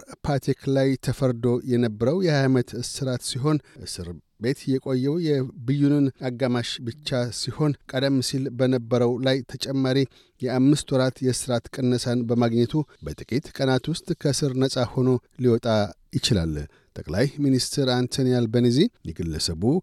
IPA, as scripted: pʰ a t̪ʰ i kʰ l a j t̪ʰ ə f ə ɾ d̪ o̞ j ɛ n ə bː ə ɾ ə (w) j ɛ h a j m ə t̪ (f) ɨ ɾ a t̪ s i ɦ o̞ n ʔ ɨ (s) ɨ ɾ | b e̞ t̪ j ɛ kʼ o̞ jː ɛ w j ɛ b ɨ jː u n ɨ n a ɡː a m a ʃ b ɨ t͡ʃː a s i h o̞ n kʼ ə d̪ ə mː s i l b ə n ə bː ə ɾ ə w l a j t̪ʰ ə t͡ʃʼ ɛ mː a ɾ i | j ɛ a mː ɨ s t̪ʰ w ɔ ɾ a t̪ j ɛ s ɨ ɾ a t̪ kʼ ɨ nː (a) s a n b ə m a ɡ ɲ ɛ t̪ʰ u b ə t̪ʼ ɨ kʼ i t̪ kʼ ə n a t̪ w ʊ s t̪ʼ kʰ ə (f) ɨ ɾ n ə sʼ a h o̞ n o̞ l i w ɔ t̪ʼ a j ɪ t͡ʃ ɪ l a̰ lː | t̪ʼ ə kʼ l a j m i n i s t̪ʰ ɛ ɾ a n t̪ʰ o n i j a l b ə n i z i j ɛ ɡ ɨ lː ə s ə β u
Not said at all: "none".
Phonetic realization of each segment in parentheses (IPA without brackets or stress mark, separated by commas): w, s, s, ə, s